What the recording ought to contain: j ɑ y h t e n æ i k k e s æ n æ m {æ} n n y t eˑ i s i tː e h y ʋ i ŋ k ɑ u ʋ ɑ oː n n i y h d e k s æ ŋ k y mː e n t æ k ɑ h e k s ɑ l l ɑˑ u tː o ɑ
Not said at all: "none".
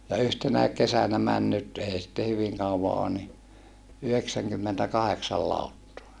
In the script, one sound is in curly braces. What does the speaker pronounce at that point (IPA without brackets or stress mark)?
æ